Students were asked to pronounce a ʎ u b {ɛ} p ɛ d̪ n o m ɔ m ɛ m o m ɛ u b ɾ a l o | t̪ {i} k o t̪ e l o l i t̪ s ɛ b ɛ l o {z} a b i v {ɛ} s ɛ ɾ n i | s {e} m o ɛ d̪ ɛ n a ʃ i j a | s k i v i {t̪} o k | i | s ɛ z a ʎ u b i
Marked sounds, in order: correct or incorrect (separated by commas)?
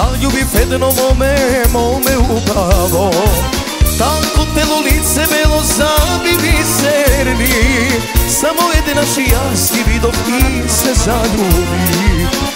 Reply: incorrect, incorrect, correct, incorrect, incorrect, incorrect